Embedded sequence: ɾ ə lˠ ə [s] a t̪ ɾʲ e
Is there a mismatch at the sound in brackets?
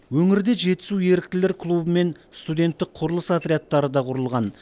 no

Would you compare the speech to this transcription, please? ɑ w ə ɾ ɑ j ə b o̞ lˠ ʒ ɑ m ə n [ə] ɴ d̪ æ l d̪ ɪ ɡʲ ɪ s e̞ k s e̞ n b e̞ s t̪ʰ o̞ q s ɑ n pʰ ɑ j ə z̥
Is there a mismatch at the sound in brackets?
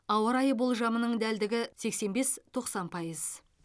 no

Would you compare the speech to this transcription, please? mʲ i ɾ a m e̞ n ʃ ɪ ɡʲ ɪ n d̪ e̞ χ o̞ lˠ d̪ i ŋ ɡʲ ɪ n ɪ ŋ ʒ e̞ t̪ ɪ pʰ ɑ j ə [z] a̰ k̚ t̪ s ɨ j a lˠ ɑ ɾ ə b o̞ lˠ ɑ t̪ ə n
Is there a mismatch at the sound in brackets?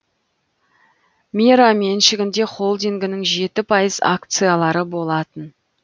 no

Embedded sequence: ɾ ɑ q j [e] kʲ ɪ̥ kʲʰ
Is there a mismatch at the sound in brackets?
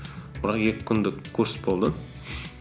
no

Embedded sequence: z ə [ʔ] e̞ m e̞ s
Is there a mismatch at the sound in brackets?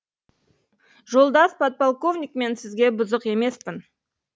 yes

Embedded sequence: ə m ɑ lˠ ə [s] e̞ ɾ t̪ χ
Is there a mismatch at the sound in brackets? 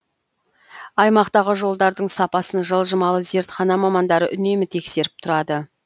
yes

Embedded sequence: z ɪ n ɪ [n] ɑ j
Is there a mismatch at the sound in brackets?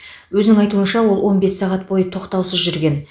yes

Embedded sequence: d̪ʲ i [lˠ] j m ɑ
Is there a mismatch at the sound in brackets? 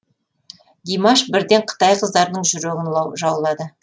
yes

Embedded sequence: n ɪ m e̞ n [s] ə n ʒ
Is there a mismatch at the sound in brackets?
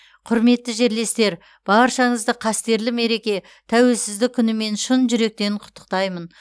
yes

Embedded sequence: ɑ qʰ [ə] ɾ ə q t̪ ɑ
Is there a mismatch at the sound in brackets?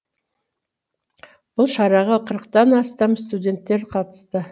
no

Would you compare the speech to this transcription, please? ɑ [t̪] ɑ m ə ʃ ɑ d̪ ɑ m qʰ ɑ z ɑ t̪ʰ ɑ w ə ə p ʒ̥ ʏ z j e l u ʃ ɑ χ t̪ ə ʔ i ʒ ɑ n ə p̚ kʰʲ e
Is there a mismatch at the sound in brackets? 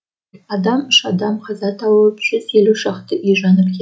yes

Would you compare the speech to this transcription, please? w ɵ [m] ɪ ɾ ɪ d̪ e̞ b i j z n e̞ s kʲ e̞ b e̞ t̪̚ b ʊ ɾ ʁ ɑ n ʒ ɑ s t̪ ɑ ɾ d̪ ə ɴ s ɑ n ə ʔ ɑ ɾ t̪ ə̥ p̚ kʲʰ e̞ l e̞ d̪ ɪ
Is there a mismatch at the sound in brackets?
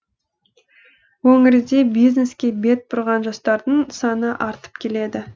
yes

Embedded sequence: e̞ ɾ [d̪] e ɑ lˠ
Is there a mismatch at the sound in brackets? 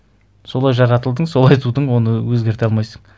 yes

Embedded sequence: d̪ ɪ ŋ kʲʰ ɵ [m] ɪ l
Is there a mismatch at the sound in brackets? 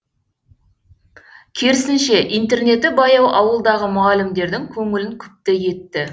yes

